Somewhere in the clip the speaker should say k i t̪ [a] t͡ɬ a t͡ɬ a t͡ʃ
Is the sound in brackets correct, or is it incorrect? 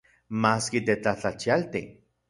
incorrect: e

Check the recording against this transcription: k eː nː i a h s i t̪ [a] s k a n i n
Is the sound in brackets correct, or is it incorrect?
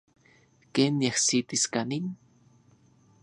incorrect: i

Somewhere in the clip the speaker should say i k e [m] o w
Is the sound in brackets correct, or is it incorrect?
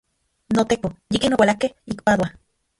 incorrect: n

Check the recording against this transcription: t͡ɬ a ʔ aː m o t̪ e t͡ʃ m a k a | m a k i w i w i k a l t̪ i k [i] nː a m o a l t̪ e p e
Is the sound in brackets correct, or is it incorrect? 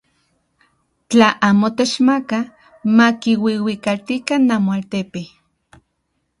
incorrect: a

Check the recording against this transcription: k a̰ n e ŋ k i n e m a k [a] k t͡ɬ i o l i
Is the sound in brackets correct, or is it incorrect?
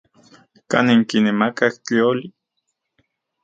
correct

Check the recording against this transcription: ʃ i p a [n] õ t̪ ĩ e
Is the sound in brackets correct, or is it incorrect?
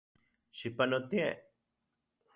correct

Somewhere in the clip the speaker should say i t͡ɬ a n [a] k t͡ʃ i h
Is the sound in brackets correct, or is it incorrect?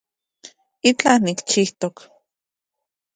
incorrect: i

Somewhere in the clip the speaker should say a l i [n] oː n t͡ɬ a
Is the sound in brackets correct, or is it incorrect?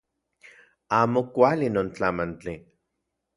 correct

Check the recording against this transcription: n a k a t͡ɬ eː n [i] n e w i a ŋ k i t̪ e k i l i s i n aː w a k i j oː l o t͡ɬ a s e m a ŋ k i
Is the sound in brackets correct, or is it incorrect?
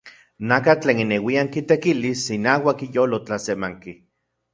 correct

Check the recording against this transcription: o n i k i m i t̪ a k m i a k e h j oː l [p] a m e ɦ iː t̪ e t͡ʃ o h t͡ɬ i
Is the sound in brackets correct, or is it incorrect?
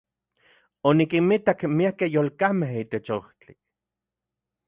incorrect: k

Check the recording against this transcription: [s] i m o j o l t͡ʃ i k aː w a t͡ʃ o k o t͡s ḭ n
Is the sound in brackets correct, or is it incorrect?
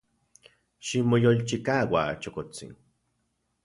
incorrect: ʃ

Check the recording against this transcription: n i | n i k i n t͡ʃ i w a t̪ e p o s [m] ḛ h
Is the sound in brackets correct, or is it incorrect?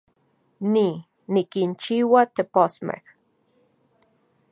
correct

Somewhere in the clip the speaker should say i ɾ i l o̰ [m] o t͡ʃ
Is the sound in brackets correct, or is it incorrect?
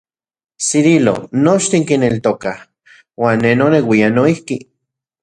incorrect: n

